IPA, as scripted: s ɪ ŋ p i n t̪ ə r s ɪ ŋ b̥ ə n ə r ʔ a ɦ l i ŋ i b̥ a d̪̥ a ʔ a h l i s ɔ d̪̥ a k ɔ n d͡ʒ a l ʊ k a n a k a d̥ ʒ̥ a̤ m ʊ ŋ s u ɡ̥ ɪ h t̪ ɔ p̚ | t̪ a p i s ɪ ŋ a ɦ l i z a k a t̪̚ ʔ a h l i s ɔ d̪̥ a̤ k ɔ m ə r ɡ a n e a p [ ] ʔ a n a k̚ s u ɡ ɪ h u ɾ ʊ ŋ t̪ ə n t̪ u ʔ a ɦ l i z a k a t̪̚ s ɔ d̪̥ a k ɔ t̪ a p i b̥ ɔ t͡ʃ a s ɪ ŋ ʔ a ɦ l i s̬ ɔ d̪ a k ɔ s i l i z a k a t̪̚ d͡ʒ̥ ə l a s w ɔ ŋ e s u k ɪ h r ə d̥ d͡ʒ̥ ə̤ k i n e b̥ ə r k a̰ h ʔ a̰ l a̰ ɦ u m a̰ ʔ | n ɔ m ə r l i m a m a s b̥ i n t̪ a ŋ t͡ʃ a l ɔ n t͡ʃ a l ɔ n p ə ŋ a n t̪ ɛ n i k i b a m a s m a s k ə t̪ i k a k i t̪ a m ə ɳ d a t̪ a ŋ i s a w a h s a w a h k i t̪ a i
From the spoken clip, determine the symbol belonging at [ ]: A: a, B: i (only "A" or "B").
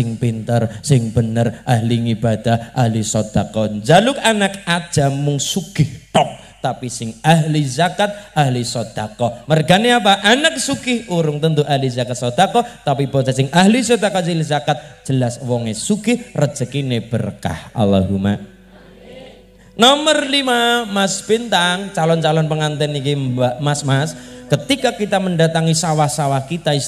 A